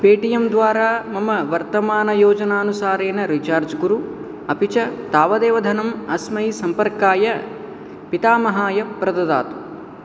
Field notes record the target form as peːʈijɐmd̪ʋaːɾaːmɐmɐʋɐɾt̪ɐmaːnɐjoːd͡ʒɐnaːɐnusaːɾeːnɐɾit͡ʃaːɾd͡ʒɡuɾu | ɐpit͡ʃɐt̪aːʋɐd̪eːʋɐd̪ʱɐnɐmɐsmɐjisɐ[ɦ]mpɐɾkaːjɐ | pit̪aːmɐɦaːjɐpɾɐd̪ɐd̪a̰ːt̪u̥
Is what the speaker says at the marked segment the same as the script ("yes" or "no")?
no